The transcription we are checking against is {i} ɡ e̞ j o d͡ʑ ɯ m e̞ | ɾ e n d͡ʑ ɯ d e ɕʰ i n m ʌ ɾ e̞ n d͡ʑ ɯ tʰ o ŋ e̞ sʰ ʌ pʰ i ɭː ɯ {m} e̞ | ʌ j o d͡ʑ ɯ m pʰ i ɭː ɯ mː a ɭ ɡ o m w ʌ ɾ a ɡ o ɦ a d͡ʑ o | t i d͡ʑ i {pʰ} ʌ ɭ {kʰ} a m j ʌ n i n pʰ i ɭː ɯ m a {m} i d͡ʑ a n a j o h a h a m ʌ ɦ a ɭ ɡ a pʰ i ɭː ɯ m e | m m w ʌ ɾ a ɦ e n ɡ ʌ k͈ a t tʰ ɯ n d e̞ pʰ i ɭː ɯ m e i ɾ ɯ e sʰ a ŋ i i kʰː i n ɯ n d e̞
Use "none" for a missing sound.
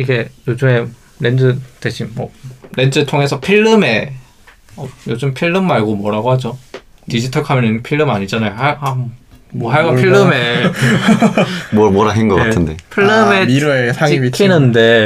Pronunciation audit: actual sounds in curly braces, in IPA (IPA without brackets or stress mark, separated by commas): i, m, tʰ, kʰ, ɲ